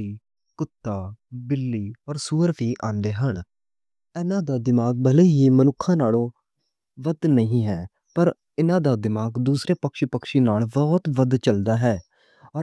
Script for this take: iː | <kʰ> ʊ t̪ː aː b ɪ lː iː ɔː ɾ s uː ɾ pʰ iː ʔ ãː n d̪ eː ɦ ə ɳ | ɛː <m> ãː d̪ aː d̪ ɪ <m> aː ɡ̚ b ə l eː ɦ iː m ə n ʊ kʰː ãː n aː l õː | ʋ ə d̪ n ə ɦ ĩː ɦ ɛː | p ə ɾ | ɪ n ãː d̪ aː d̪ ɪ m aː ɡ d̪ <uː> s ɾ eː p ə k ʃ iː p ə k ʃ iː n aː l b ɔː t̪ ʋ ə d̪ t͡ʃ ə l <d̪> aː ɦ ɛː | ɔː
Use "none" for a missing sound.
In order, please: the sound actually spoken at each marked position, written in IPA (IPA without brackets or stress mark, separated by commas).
k, n, m, uː, d̪